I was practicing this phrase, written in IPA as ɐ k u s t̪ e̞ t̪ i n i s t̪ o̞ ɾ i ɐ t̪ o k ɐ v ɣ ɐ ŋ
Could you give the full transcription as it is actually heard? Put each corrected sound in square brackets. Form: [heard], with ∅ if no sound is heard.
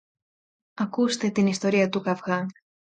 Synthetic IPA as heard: ɐ k u s t̪ e̞ t̪ i n i s t̪ o̞ ɾ i ɐ t̪ [u] k ɐ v ɣ ɐ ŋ